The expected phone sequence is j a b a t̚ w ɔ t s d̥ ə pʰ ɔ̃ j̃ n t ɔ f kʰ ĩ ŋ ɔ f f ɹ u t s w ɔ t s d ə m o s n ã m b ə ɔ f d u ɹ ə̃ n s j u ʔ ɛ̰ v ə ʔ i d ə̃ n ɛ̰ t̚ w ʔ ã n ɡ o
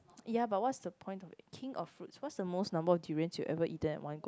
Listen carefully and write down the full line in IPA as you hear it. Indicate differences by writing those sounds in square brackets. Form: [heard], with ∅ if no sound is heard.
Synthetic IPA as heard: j a b a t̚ w ɔ t s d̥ ə pʰ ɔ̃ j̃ n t ɔ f kʰ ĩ ŋ ɔ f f ɹ u t s w ɔ t s d ə m o s n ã m b ə ɔ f d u ɹ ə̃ n s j u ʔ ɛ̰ v ə ʔ i [t] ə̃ n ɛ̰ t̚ w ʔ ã n ɡ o